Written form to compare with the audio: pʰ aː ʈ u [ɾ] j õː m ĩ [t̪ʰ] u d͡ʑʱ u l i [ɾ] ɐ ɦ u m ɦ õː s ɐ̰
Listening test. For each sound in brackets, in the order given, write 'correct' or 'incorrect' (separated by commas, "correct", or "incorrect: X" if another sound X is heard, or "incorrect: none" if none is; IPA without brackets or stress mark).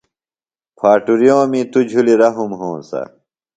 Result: correct, incorrect: t̪, correct